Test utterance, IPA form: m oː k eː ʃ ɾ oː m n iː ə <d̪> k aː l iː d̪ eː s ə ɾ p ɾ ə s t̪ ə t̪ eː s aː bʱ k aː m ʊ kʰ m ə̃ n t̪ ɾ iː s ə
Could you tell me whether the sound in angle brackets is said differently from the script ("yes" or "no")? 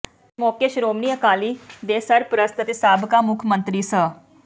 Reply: yes